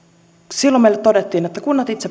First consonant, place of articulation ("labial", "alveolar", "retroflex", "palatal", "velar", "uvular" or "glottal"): alveolar